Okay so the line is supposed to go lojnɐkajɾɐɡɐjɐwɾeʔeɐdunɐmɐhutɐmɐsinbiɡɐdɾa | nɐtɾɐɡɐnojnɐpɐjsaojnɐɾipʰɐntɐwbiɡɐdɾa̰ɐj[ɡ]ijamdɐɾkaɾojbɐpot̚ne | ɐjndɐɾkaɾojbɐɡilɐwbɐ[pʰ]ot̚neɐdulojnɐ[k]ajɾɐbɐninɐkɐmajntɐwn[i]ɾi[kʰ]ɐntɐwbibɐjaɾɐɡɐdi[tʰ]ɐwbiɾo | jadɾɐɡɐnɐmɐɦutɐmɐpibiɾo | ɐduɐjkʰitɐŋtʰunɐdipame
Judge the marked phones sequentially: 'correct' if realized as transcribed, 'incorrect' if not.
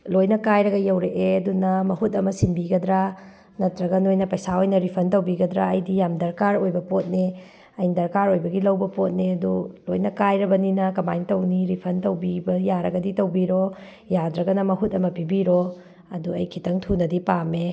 incorrect: d, incorrect: p, correct, correct, incorrect: pʰ, incorrect: t

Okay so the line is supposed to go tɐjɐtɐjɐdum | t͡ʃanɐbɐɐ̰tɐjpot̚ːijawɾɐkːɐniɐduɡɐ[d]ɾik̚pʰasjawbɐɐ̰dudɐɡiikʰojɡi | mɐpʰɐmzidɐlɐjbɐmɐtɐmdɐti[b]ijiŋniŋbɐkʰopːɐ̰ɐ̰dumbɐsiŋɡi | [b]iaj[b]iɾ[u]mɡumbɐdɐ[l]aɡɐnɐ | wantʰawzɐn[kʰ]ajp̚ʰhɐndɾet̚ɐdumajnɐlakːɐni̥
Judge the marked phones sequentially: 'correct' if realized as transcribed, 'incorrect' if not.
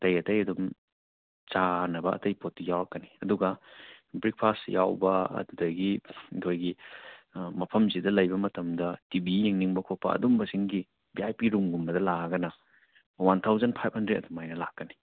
incorrect: b, correct, correct, incorrect: p, correct, correct, incorrect: pʰ

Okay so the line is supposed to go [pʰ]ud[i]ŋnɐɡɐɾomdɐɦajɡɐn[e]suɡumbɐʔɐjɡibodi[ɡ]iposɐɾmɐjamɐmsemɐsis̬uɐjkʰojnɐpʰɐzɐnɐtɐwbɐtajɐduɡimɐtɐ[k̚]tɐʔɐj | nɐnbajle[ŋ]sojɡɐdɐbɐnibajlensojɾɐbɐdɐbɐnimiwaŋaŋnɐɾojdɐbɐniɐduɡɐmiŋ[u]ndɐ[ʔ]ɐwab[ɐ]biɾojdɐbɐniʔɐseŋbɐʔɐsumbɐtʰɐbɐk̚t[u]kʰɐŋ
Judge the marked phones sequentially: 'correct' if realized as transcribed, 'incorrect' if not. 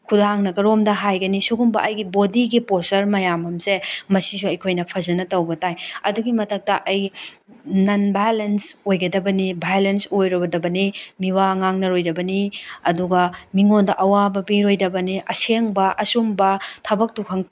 incorrect: kʰ, incorrect: a, incorrect: i, correct, correct, incorrect: n, incorrect: o, correct, correct, correct

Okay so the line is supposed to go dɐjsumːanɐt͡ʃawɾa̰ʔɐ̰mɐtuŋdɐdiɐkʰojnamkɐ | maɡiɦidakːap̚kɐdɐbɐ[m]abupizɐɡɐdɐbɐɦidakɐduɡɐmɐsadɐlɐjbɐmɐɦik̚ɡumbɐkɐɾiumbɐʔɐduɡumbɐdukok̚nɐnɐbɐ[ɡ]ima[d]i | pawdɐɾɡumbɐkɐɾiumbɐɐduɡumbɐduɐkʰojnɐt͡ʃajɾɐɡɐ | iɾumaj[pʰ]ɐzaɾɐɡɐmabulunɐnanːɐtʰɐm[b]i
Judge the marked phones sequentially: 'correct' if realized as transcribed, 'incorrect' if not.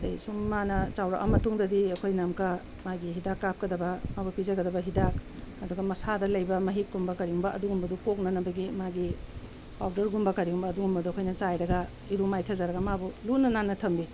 correct, correct, incorrect: ɡ, incorrect: tʰ, correct

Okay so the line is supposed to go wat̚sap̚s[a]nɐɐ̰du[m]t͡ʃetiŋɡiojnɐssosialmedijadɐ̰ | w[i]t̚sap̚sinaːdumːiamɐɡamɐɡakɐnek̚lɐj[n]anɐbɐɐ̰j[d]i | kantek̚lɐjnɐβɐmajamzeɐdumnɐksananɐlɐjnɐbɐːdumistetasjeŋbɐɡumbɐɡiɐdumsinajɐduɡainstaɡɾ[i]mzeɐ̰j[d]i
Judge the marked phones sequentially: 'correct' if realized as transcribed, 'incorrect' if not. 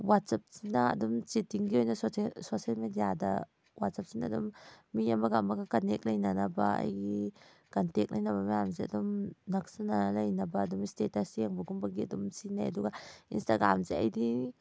incorrect: i, correct, incorrect: a, correct, incorrect: ɡ, incorrect: a, correct

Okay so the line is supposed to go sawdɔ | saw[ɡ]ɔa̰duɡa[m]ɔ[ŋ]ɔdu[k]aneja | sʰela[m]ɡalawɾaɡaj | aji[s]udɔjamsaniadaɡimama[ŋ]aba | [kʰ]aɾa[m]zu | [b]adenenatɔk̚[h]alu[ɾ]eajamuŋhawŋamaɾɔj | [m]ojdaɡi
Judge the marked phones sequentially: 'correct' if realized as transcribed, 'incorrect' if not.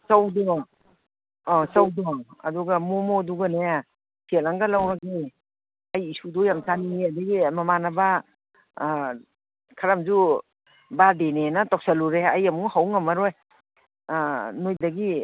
incorrect: d, correct, incorrect: m, incorrect: ɡ, incorrect: ŋ, correct, incorrect: n, correct, correct, correct, incorrect: s, correct, incorrect: n

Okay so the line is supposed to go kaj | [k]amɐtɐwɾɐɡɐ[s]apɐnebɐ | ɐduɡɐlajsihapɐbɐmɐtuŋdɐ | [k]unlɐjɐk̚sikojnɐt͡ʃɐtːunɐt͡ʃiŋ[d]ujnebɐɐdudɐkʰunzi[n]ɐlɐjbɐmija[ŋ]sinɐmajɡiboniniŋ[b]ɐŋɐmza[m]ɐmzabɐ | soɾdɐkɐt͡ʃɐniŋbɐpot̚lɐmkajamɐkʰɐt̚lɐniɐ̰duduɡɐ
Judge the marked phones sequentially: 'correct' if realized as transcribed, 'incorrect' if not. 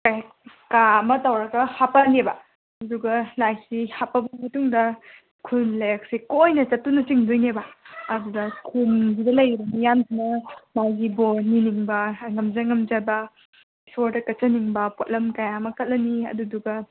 correct, incorrect: h, incorrect: kʰ, correct, incorrect: d, incorrect: m, correct, incorrect: ŋ

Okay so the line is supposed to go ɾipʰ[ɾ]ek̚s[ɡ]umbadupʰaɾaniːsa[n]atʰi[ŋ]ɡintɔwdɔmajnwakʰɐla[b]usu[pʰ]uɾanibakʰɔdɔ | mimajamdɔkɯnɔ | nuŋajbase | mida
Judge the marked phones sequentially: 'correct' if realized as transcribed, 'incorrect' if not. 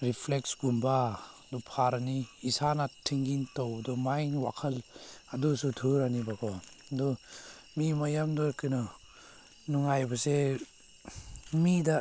incorrect: l, correct, correct, correct, incorrect: d, incorrect: tʰ

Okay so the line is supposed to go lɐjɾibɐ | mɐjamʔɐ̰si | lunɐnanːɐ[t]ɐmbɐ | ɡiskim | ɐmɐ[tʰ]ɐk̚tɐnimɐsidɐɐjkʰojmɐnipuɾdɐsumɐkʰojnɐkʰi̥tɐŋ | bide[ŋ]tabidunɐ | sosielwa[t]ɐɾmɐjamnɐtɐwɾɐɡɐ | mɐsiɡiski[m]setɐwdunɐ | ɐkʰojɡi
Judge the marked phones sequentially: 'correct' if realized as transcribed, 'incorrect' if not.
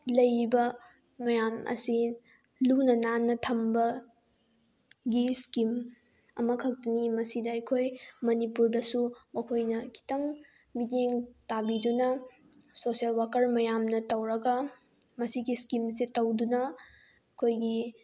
incorrect: tʰ, incorrect: kʰ, correct, incorrect: k, correct

